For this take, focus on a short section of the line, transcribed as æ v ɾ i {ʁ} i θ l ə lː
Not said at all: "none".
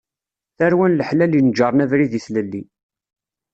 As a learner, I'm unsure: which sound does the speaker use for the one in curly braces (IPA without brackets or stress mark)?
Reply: ð